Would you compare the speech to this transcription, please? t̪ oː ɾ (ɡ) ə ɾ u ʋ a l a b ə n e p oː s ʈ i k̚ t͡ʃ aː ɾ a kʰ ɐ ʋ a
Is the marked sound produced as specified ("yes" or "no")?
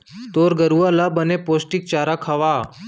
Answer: yes